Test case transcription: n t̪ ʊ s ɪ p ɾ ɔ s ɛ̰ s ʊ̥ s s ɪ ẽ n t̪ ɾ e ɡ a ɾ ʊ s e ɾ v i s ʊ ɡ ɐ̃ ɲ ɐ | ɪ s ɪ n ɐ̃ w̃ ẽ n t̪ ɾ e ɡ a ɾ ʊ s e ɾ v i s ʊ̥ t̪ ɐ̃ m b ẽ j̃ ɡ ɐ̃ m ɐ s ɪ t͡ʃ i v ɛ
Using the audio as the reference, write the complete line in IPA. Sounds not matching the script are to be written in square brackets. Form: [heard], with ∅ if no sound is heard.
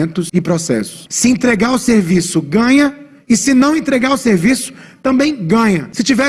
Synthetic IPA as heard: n t̪ ʊ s ɪ p ɾ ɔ s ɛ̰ s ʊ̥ s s ɪ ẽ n t̪ ɾ e ɡ a ɾ ʊ s e ɾ v i s ʊ ɡ ɐ̃ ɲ ɐ | ɪ s ɪ n ɐ̃ w̃ ẽ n t̪ ɾ e ɡ a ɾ ʊ s e ɾ v i s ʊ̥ t̪ ɐ̃ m b ẽ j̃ ɡ ɐ̃ [ɲ] ɐ s ɪ t͡ʃ i v ɛ